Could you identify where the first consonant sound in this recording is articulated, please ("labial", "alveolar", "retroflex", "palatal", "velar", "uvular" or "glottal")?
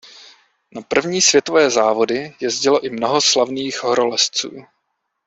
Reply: alveolar